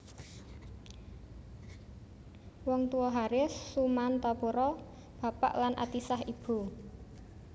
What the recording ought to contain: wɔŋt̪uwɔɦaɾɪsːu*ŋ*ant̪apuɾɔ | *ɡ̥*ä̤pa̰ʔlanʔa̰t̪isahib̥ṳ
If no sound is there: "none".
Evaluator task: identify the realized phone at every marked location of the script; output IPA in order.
m, b̥

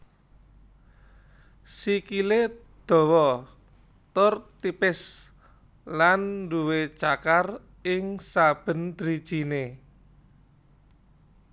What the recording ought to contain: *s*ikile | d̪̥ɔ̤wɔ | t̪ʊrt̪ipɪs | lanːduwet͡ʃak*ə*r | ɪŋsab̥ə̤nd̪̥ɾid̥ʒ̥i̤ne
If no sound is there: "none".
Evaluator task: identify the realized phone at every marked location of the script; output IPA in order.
s, a

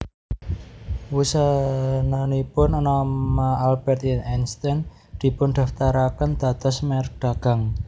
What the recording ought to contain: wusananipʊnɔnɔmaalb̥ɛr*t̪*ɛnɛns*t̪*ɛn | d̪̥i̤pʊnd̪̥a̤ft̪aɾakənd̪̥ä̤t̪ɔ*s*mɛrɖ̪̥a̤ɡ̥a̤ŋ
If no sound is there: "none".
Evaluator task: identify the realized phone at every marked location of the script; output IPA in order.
t̪, t̪, s

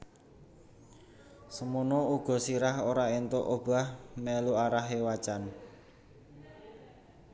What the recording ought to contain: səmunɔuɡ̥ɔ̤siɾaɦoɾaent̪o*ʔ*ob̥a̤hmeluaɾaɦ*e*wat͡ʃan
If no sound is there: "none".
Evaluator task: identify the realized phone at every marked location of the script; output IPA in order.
ʔ, e

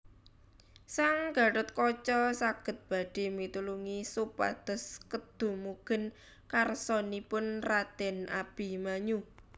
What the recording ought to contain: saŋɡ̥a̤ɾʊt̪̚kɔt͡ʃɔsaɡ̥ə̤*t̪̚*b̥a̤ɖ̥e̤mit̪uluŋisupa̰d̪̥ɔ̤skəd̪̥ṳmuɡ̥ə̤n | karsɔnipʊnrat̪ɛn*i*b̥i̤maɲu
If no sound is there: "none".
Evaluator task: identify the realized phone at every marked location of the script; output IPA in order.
t̪̚, a

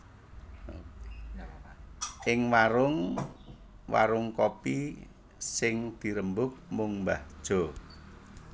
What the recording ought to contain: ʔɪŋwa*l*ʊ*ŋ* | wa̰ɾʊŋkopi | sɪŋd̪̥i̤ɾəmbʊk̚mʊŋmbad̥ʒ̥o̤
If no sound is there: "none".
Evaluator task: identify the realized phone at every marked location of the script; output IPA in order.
ɾ, ŋ

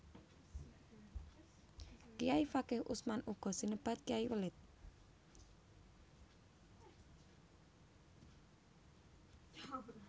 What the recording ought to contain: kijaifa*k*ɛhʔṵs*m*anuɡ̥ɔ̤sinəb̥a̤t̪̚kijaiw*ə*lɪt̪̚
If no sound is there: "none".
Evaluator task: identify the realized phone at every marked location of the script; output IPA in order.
k, m, ə

